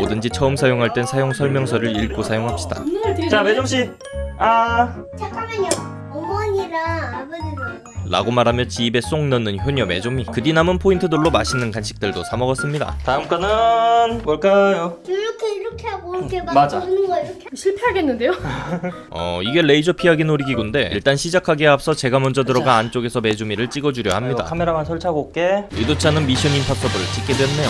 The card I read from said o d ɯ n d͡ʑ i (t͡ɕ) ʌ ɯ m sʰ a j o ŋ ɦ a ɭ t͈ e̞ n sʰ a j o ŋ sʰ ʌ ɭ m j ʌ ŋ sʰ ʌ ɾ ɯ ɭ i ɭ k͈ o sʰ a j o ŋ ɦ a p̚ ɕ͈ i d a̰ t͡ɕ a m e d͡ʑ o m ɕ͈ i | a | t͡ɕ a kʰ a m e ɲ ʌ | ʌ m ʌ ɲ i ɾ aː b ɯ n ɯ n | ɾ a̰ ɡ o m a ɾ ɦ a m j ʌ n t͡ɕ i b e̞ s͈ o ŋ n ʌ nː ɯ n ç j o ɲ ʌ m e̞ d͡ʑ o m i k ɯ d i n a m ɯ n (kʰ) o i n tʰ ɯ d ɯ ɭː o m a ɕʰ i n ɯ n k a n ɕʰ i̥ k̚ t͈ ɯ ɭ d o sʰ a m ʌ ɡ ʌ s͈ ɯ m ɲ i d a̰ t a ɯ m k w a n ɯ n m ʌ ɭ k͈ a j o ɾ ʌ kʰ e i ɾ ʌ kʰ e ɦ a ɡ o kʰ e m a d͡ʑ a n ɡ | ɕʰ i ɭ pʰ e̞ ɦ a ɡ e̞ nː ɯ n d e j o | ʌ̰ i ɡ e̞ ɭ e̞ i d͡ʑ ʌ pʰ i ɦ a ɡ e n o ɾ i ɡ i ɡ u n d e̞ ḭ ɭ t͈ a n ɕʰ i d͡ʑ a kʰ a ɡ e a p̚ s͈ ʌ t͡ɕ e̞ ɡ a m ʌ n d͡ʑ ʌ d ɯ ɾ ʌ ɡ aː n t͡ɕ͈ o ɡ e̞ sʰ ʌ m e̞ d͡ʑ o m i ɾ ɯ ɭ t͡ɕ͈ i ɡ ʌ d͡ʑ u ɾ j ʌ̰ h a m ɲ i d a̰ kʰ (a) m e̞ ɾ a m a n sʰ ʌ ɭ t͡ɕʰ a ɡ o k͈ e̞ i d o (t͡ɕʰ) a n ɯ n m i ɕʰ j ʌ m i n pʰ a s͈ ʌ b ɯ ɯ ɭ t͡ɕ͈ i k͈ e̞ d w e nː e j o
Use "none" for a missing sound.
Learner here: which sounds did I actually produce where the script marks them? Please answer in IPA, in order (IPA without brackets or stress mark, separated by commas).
t͡ɕʰ, pʰ, a, t͡ɕʰ